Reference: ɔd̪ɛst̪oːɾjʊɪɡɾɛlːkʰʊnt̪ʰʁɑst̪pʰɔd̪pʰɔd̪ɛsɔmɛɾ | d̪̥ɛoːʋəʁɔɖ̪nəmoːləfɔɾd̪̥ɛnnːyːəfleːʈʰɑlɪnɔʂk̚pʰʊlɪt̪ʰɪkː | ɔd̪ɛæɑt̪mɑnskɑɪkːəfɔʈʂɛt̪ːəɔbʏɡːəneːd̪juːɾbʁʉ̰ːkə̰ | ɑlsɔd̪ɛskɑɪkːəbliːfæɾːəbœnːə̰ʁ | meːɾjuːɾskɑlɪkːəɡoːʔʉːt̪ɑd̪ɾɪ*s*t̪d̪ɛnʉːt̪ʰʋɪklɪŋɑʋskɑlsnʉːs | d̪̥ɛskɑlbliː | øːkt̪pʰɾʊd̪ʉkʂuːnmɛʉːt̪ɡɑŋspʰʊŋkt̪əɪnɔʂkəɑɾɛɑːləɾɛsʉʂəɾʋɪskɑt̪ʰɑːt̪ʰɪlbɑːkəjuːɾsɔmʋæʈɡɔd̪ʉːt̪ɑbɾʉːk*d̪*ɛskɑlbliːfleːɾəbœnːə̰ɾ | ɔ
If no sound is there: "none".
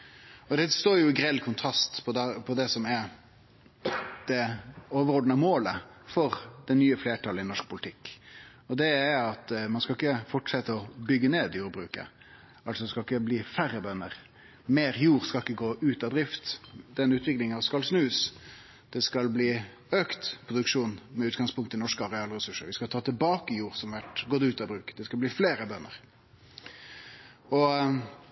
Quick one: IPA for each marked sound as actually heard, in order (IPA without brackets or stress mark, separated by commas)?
f, d̪